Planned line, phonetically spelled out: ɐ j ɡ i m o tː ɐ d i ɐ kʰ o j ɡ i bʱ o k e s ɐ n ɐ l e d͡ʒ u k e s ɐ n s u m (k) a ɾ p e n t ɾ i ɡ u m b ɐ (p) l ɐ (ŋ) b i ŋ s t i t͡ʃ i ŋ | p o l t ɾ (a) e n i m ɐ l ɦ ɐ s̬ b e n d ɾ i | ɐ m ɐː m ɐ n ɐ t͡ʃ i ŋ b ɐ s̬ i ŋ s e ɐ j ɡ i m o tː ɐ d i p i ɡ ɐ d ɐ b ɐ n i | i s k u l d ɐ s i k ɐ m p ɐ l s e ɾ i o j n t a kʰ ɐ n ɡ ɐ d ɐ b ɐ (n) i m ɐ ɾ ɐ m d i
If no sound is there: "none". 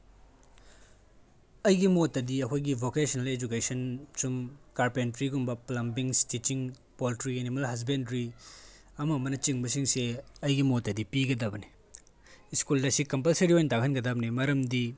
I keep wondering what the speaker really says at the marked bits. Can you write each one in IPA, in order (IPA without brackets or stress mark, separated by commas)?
k, p, m, i, n